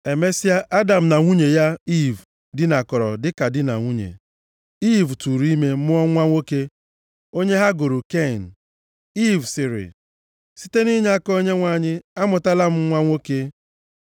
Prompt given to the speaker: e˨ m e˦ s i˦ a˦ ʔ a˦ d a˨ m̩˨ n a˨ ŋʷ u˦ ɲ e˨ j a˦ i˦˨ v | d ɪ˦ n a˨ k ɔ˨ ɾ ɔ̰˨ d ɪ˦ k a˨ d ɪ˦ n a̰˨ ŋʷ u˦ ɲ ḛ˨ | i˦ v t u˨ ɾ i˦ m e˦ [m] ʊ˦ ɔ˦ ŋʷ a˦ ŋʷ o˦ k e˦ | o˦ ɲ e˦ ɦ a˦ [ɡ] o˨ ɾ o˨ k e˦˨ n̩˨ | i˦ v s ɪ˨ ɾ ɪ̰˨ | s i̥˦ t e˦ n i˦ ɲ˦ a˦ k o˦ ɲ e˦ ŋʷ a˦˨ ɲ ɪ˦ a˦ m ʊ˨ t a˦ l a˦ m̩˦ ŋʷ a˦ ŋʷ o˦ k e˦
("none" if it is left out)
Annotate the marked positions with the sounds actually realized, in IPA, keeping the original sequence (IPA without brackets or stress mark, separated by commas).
m, ɡ